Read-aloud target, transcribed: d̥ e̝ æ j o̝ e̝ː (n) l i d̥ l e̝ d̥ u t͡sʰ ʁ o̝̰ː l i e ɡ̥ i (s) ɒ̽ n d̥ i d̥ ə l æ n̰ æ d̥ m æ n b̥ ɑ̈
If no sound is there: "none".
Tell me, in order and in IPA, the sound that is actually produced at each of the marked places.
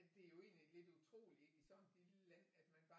n, s

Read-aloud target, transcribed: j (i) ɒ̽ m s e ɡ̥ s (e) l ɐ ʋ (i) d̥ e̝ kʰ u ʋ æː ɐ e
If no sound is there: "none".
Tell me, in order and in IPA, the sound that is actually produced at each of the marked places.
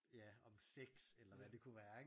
æ, e, æ

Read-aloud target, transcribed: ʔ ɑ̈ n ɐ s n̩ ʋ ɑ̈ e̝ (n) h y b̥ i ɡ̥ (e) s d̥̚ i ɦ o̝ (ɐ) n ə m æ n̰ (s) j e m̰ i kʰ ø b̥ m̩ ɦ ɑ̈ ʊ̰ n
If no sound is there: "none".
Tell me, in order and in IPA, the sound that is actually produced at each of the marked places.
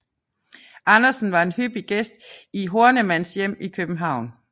n, e, ɐ, s

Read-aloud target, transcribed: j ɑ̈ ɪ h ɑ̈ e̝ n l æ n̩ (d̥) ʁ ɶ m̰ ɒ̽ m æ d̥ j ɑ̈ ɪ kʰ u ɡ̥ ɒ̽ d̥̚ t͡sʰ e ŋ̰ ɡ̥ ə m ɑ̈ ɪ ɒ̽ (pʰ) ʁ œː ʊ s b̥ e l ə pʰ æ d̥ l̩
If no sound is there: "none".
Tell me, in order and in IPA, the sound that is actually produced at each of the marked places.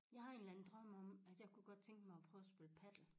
d̥, pʰ

